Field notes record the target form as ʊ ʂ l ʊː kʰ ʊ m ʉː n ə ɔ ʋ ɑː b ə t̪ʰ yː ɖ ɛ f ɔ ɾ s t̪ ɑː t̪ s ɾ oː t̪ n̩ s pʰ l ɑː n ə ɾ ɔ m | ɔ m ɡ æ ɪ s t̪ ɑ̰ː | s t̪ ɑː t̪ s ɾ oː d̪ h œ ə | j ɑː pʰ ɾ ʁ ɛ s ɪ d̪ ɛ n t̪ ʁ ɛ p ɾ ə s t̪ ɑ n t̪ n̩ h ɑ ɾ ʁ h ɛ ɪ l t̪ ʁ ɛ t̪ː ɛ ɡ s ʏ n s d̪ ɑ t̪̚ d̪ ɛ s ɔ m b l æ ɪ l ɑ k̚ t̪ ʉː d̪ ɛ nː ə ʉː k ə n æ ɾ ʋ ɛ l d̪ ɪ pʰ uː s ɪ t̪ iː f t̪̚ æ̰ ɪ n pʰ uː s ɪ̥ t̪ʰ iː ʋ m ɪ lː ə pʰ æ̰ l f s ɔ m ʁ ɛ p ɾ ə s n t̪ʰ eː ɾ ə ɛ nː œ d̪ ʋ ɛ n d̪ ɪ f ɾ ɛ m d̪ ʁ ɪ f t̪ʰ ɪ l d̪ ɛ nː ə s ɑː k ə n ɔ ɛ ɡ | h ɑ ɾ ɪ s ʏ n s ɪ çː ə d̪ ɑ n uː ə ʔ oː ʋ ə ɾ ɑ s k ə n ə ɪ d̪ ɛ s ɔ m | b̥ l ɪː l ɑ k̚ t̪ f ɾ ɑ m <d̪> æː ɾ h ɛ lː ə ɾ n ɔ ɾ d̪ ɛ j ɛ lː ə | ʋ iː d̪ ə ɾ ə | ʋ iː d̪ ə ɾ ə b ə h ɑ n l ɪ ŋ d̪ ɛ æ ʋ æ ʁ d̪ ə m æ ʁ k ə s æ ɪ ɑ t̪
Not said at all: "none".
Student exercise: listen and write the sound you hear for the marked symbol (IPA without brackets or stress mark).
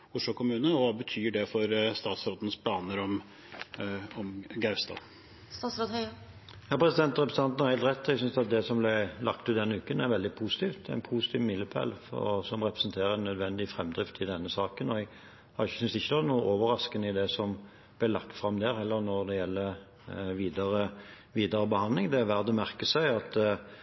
d̪